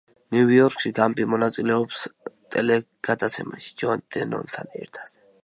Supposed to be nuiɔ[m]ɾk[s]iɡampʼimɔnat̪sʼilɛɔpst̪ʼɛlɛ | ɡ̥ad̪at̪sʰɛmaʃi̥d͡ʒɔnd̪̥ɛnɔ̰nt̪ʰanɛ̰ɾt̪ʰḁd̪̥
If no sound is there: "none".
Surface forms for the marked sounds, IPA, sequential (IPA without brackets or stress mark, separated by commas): none, ʃ